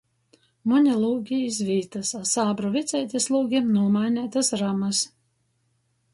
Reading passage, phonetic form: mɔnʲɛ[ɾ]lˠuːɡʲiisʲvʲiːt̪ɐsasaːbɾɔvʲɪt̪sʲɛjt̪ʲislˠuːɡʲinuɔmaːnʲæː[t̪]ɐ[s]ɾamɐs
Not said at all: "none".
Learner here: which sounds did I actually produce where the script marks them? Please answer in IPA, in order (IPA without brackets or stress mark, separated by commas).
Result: none, t̪, s